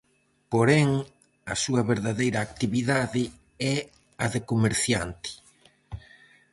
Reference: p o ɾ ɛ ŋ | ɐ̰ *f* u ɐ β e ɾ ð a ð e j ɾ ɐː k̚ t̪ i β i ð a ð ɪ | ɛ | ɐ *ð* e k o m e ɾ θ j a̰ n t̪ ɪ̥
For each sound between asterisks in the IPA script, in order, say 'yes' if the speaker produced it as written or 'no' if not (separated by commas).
no, yes